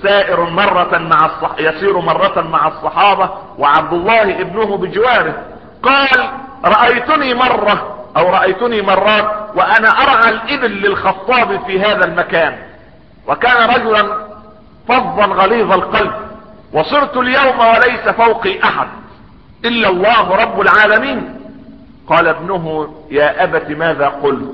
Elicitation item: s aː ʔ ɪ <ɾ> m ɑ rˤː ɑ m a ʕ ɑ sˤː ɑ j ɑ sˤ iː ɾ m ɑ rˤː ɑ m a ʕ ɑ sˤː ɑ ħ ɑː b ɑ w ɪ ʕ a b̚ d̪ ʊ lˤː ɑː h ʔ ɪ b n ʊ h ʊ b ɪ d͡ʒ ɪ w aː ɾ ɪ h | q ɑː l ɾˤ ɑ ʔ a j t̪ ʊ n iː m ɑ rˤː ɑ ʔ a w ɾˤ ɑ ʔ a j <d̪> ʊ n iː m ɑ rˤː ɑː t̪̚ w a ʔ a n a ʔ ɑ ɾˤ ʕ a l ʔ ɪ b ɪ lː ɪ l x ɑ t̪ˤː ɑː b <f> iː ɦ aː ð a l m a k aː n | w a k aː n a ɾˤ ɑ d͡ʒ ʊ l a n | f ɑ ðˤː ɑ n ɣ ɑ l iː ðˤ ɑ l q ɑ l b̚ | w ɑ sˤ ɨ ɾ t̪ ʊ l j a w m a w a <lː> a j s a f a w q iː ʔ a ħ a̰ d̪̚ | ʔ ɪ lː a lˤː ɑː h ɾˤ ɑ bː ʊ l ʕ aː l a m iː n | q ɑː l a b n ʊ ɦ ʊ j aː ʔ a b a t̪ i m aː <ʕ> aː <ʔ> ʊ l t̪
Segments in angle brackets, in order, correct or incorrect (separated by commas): correct, incorrect, correct, incorrect, incorrect, incorrect